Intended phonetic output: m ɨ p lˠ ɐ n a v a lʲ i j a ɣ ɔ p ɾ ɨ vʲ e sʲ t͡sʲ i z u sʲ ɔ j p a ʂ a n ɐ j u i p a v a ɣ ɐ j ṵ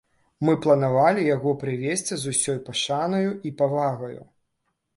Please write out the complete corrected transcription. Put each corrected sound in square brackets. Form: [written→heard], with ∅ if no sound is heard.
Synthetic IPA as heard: m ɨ p lˠ ɐ n a v a lʲ i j a ɣ ɔ p ɾ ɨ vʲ e sʲ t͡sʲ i z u sʲ ɔ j p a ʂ a n ɐ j u i p a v a ɣ ɐ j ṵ